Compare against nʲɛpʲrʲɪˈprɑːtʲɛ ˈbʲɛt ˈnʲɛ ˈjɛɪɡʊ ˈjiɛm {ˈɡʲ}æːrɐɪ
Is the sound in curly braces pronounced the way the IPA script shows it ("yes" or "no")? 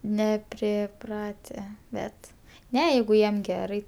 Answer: yes